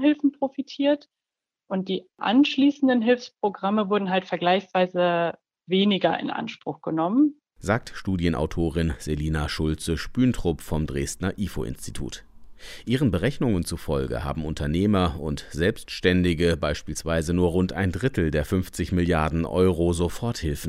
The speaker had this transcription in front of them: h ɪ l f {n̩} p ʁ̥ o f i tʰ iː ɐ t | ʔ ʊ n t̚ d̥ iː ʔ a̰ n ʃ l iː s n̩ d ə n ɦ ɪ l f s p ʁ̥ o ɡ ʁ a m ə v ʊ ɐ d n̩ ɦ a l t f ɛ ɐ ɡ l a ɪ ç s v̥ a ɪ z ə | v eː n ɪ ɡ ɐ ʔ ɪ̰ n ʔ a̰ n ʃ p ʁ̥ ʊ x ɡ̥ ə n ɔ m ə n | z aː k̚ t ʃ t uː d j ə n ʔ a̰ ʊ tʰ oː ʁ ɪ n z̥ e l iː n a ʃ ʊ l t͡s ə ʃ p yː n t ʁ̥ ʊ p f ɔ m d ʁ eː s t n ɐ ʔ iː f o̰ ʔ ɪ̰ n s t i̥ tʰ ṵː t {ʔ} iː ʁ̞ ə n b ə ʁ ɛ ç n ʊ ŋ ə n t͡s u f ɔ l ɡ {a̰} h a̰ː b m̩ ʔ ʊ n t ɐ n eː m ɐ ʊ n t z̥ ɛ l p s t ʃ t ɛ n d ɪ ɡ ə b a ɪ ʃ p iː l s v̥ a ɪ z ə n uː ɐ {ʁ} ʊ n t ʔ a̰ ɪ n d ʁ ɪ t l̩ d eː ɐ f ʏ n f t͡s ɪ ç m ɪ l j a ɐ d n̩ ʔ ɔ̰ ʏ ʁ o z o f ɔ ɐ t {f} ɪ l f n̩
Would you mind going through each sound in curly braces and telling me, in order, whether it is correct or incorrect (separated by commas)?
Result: correct, correct, incorrect, correct, incorrect